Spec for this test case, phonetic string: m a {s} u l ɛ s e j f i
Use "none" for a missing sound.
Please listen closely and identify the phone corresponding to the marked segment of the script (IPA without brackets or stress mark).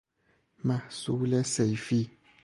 s